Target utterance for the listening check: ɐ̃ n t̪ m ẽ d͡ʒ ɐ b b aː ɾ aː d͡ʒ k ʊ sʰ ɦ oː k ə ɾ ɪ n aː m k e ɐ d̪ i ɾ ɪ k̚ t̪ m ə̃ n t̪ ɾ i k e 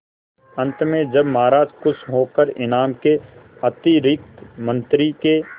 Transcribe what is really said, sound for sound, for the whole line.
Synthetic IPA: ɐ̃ n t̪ m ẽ d͡ʒ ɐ b m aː ɾ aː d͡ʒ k ʊ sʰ ɦ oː k ə ɾ ɪ n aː m k e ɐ t̪ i ɾ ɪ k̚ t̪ m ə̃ n t̪ ɾ i k e